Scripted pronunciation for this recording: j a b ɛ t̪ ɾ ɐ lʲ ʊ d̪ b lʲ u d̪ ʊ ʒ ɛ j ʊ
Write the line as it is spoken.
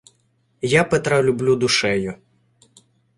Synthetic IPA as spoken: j a p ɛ t̪ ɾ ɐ lʲ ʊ b lʲ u d̪ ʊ ʃ ɛ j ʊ